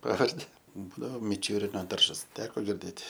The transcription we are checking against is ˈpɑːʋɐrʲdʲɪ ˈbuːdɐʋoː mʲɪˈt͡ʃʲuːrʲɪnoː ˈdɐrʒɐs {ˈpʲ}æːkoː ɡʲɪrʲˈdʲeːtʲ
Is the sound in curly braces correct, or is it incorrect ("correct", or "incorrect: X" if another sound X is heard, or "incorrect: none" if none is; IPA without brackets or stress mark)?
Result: incorrect: tʲ